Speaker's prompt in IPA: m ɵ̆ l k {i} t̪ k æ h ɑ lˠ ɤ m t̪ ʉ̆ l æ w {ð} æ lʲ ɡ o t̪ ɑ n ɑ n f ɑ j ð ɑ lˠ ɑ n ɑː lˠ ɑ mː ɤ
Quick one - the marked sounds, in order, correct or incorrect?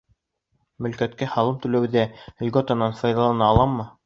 incorrect, correct

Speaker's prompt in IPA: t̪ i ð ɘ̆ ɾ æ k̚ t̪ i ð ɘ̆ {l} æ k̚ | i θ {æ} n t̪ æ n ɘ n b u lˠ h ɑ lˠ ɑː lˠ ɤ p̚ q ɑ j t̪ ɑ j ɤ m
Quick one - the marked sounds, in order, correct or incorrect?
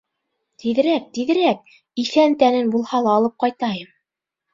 incorrect, correct

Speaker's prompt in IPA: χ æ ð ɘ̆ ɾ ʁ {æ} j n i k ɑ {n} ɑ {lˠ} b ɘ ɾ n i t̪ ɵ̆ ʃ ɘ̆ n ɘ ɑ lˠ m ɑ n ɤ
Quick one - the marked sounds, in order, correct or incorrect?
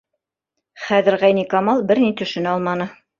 correct, incorrect, correct

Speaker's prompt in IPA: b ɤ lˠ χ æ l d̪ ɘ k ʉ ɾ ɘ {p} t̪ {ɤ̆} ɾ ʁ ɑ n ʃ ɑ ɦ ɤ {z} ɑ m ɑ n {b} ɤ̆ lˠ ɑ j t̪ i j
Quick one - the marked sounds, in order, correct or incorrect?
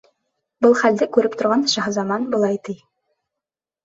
correct, incorrect, correct, correct

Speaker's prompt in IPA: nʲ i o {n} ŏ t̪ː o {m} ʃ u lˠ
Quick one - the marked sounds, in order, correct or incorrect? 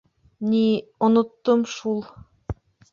correct, correct

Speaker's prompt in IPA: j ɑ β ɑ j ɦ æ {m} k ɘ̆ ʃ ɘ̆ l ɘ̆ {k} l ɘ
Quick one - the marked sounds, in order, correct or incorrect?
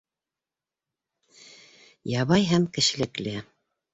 correct, correct

